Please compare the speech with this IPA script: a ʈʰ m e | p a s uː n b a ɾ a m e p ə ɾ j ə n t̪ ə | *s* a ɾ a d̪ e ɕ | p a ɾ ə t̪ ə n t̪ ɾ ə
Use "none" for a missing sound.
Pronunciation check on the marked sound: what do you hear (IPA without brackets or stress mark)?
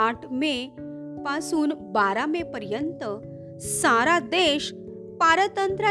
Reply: s